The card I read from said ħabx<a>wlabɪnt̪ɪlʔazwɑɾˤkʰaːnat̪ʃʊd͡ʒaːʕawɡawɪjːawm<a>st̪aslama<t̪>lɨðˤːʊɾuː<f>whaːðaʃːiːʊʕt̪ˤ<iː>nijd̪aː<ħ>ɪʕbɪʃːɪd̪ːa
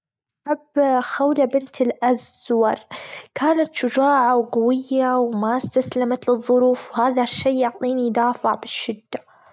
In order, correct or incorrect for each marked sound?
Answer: correct, correct, correct, correct, correct, incorrect: f

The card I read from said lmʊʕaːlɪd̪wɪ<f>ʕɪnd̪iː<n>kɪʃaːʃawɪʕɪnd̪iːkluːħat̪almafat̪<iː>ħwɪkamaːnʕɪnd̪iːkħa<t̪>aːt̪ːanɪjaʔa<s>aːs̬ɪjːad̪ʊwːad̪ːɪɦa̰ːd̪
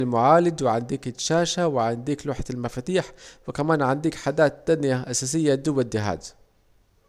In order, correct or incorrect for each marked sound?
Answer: incorrect: none, incorrect: none, correct, incorrect: d̪, correct

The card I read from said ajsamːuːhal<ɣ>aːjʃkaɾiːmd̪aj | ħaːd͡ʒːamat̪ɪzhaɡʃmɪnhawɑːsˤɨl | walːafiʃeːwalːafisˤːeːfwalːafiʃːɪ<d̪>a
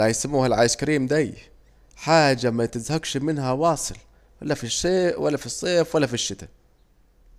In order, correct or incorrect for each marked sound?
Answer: incorrect: ʕ, incorrect: t̪

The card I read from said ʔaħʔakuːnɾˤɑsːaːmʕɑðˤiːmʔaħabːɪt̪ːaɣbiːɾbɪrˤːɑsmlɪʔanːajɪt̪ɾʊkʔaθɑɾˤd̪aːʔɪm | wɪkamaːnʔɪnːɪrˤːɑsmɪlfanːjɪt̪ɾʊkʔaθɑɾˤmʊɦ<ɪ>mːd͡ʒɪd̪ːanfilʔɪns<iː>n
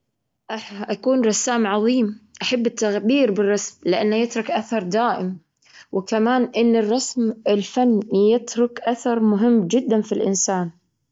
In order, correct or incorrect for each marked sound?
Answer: correct, incorrect: aː

